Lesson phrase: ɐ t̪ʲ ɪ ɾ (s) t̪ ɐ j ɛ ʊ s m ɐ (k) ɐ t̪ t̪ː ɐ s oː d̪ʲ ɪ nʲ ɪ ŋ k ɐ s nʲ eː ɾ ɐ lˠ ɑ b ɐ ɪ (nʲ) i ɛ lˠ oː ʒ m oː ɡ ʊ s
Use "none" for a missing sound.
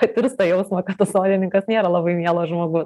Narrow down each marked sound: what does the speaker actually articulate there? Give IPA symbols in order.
s, k, mʲ

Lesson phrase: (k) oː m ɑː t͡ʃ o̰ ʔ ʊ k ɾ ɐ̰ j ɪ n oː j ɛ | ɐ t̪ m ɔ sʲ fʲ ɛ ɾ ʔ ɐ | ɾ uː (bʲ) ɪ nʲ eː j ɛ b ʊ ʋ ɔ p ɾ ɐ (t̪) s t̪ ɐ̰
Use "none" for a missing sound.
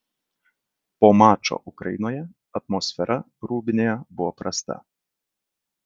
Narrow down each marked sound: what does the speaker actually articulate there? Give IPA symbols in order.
p, bʲ, none

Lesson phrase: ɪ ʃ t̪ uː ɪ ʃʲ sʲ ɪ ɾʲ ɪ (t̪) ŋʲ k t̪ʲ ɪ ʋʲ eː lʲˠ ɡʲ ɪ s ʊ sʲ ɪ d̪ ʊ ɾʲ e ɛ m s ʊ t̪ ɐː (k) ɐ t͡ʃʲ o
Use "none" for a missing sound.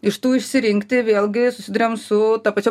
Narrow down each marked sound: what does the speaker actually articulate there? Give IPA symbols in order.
none, p

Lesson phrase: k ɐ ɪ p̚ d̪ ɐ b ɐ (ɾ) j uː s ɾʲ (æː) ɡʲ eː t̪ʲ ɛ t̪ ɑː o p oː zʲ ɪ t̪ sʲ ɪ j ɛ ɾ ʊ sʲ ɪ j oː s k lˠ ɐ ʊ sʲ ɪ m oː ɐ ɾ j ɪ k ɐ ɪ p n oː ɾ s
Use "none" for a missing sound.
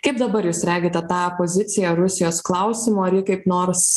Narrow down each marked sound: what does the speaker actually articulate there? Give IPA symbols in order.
ɾ, æː

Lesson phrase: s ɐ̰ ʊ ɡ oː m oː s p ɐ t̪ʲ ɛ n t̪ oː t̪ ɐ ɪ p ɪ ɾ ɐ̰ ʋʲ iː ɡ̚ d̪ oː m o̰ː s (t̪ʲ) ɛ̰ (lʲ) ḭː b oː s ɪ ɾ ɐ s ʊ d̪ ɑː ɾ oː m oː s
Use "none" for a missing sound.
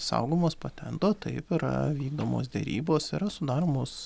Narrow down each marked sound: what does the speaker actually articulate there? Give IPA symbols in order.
d̪ʲ, ɾʲ

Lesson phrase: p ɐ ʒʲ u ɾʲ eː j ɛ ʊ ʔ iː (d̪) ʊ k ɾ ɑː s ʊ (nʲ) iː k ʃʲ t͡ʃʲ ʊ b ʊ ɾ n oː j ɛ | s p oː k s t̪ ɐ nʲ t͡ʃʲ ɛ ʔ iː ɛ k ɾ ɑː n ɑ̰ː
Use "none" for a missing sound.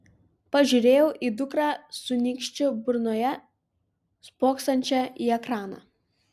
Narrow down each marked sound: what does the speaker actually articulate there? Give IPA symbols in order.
d̪, nʲ

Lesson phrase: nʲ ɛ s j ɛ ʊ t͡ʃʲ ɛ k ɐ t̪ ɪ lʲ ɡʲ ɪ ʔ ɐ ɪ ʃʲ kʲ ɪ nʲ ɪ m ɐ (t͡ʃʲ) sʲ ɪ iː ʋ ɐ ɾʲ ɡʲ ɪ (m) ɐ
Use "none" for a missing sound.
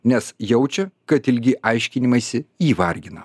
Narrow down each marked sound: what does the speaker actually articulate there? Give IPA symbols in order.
none, n

